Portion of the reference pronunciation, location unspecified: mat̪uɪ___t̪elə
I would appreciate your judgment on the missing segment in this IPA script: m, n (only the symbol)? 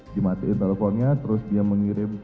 n